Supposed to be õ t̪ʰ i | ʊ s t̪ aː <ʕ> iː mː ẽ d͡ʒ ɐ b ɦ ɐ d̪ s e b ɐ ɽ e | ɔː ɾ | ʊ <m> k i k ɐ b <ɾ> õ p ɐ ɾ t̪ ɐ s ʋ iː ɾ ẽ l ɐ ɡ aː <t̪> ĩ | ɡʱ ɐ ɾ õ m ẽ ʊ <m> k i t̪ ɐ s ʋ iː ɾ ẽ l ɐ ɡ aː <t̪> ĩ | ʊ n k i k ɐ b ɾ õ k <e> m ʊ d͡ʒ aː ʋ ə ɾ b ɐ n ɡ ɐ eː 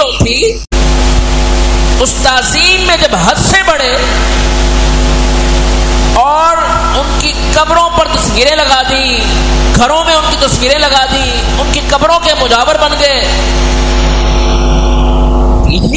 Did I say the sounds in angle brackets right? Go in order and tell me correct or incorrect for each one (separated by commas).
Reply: incorrect, incorrect, correct, incorrect, incorrect, incorrect, correct